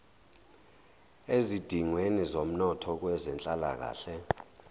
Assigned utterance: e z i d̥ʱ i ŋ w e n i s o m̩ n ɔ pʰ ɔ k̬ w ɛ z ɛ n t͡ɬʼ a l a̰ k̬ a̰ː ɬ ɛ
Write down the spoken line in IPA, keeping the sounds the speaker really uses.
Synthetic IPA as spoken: e z i d̥ʱ i ŋ w e n i z o m̩ n ɔ tʰ ɔ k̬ w ɛ z ɛ n t͡ɬʼ a l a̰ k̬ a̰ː ɬ ɛ

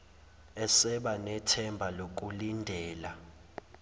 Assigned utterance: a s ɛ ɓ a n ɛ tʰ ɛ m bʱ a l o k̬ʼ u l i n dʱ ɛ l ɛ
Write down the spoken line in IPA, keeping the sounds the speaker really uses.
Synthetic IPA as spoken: ɛ s ɛ ɓ a n ɛ tʰ ɛ m bʱ a l o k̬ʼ u l i n dʱ ɛː l a

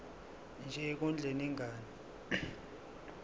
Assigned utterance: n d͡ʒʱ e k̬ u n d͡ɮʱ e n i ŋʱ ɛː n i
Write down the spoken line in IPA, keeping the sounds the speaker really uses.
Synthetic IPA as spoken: n d͡ʒʱ ɛ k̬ u n d͡ɮʱ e n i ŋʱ aː n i

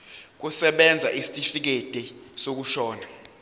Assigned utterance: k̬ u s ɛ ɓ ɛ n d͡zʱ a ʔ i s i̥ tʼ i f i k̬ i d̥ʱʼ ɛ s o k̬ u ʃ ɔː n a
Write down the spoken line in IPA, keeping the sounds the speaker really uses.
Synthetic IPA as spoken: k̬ u s ɛ ɓ ɛ n d͡zʱ a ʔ i s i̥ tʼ i f i k̬ e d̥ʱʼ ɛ s o k̬ u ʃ ɔː n a

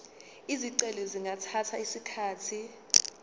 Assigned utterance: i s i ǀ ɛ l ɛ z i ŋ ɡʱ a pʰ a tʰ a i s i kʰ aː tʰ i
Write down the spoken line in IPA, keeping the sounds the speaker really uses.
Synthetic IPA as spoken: i z i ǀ ɛ l ɛ z i ŋ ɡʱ a tʰ a tʰ a i s i kʰ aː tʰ i

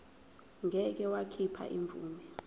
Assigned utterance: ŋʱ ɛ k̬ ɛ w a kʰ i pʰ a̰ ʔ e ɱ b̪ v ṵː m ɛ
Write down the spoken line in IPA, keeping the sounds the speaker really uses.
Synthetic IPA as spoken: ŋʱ ɛ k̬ ɛ w a kʰ i pʰ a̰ ʔ i ɱ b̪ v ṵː m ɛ

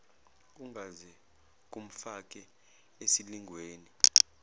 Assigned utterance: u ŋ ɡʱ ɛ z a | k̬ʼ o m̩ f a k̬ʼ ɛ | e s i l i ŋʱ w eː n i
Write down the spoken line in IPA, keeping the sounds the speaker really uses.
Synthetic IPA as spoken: u ŋ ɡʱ a z ɛ | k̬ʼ u m̩ f a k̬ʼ ɛ | e s i l i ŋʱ w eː n i

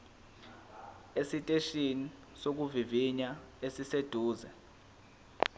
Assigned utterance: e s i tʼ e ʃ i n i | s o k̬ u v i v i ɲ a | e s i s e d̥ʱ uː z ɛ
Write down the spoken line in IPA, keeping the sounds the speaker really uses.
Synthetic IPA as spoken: e s i tʼ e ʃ i n i | s o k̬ u v i v i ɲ a | e s i s e d̥ʱ uː z ɛ

